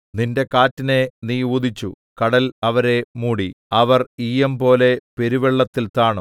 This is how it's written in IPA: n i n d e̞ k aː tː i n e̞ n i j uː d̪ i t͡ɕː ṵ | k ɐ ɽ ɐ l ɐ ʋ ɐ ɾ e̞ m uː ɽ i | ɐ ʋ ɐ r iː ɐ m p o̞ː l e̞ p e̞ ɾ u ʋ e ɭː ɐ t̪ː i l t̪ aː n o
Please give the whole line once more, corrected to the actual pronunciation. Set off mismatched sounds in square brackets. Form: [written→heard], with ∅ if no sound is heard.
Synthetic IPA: n i n d e̞ k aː tː i n e̞ n i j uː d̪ i t͡ɕː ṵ | k ɐ ɽ ɐ l ɐ ʋ ɐ ɾ e̞ m uː ɽ i | ɐ ʋ ɐ r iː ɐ m p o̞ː l e̞ p e̞ ɾ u ʋ e ɭː ɐ t̪ː i l t̪ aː [n→ɳ] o

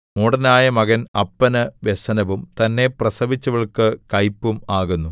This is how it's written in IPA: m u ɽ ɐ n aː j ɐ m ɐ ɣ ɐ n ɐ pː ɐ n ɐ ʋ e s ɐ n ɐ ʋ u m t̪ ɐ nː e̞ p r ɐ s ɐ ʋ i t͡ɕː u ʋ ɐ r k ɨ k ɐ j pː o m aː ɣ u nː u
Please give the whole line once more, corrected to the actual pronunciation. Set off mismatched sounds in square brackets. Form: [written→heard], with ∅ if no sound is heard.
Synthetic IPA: m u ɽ ɐ n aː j ɐ m ɐ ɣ ɐ n ɐ pː ɐ n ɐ ʋ e s ɐ n ɐ ʋ u m t̪ ɐ nː e̞ p r ɐ s ɐ ʋ i t͡ɕː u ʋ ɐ [r→ɭ] k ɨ k ɐ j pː [o→u] m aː ɣ u nː u

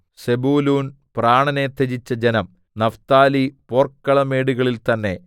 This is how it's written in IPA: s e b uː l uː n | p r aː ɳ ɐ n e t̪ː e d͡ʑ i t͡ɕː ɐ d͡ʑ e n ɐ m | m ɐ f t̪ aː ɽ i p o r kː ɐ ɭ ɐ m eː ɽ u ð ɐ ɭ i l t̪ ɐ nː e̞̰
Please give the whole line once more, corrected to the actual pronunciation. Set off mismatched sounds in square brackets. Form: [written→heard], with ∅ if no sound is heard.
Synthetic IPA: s e b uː l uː n | p r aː ɳ ɐ n e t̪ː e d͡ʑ i t͡ɕː ɐ d͡ʑ e n ɐ m | [m→n] ɐ f t̪ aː [ɽ→l] i p o r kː ɐ ɭ ɐ m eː ɽ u [ð→ɣ] ɐ ɭ i l t̪ ɐ nː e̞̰

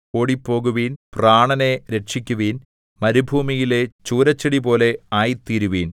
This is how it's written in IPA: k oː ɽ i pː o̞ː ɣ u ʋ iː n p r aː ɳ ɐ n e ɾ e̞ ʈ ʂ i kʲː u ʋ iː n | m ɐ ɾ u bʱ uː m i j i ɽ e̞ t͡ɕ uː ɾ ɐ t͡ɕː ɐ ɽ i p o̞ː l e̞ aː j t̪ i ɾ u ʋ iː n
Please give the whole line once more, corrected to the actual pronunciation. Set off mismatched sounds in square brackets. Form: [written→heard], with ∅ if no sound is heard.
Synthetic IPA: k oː ɽ i pː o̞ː ɣ u ʋ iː n p r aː ɳ ɐ n e ɾ e̞ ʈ ʂ i kʲː u ʋ iː n | m ɐ ɾ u bʱ uː m i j i [ɽ→l] e̞ t͡ɕ uː ɾ ɐ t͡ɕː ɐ ɽ i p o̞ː l e̞ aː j t̪ i ɾ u ʋ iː n

